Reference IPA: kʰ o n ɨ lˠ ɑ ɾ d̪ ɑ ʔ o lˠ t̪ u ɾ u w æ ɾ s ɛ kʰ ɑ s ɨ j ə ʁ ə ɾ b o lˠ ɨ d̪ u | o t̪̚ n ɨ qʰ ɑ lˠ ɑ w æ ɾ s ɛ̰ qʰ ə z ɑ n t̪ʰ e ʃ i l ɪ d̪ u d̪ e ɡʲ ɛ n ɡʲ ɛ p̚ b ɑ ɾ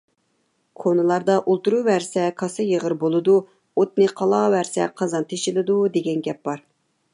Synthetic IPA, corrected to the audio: kʰ o n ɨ lˠ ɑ ɾ d̪ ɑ ʔ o lˠ t̪ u ɾ u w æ ɾ s ɛ kʰ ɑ s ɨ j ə ʁ ə ɾ b o lˠ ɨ d̪ u | o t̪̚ n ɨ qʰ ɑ lˠ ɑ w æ ɾ s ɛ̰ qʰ ɑ z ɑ n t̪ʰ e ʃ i l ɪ d̪ u d̪ e ɡʲ ɛ n ɡʲ ɛ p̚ b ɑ ɾ